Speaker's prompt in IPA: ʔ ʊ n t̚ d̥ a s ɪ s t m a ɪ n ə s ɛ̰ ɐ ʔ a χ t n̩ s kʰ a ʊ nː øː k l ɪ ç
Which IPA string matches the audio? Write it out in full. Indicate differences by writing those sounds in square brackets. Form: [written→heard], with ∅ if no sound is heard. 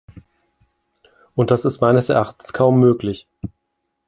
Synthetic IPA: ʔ ʊ n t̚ d̥ a s ɪ s t m a ɪ n ə s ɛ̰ ɐ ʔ a χ t n̩ s kʰ a ʊ [nː→mː] øː k l ɪ ç